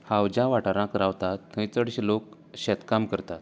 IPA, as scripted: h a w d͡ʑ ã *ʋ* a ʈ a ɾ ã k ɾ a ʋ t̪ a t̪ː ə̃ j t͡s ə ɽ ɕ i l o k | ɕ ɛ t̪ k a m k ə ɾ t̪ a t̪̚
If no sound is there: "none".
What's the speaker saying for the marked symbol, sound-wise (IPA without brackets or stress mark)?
ʋ